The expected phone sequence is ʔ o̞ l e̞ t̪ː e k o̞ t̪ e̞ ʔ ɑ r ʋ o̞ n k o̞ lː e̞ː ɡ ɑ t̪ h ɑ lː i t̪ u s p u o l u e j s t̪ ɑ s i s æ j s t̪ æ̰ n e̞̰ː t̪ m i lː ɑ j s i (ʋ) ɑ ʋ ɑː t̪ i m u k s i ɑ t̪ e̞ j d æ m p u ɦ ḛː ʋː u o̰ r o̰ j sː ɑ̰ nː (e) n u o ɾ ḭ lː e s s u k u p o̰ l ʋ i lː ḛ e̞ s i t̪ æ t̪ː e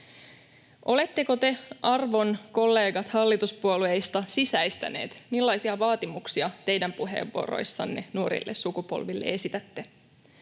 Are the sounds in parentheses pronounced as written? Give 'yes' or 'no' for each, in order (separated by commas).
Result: no, yes